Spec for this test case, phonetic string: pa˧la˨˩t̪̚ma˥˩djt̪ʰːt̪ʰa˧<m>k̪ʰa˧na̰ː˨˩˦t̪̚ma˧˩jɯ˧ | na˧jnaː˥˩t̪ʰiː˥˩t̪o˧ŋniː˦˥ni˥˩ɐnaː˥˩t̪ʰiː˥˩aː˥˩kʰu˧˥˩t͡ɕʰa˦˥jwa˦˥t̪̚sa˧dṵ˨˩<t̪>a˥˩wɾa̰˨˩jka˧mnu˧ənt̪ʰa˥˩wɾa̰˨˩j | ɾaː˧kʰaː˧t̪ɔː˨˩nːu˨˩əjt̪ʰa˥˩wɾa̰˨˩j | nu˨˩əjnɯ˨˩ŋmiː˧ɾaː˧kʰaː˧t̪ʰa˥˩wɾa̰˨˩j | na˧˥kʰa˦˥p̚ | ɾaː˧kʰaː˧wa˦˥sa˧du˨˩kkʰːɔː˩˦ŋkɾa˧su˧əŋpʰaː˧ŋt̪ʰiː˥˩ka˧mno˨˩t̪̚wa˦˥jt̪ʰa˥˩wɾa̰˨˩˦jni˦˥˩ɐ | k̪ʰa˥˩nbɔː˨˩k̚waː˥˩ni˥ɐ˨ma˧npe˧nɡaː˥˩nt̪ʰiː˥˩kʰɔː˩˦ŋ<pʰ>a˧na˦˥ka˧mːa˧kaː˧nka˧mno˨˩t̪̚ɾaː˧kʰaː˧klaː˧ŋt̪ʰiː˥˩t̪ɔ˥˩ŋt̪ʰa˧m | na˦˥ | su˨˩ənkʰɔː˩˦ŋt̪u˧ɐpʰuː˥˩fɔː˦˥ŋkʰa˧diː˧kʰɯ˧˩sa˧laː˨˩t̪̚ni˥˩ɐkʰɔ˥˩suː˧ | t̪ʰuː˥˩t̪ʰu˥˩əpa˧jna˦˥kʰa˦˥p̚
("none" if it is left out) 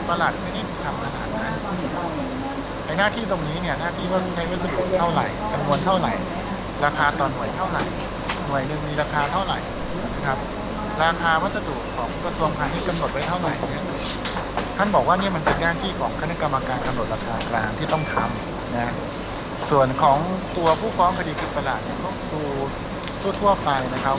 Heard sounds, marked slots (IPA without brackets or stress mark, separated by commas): m, t̪ʰ, kʰ